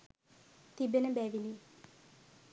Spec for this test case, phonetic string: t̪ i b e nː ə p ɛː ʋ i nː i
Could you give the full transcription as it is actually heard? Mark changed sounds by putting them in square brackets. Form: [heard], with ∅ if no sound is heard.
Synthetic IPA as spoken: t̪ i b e [n] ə [b] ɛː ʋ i [n] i